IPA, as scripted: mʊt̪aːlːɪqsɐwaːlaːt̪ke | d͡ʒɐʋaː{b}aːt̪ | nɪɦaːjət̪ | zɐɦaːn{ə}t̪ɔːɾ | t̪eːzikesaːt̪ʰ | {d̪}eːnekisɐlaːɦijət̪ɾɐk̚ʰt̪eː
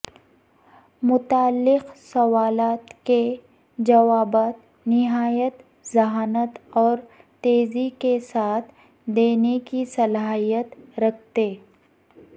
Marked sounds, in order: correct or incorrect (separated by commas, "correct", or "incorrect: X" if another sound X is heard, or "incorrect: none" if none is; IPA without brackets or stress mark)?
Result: correct, correct, correct